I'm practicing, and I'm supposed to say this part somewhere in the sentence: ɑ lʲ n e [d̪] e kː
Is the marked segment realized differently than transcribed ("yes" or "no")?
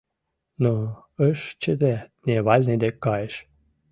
no